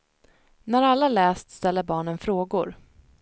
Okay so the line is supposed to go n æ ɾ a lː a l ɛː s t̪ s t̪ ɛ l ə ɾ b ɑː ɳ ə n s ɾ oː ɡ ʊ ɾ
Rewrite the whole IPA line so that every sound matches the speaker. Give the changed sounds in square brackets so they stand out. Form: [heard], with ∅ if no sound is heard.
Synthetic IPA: n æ ɾ a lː a l ɛː s t̪ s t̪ ɛ [lː] ə ɾ b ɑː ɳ ə n [f] ɾ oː ɡ ʊ ɾ